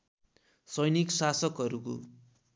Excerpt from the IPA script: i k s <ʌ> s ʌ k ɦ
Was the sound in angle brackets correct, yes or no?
no